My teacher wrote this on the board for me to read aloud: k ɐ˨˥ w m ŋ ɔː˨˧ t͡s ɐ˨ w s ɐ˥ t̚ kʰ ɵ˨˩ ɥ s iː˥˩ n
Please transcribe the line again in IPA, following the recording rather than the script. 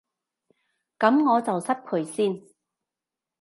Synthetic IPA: k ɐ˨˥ m ŋ ɔː˨˧ t͡s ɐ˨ w s ɐ˥ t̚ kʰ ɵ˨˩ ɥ s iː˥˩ n